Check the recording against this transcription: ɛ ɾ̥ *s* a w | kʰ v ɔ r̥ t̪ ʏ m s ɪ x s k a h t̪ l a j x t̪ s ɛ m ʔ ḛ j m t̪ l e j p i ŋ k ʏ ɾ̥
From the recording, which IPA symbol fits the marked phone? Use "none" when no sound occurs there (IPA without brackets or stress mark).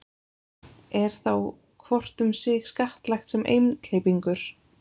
θ